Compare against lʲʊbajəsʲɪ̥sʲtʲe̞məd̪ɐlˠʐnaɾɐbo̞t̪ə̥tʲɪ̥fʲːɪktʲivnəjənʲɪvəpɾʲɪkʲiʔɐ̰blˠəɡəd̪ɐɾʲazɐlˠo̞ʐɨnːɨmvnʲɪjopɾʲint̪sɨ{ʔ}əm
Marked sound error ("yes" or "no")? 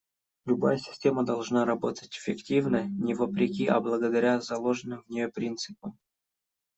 yes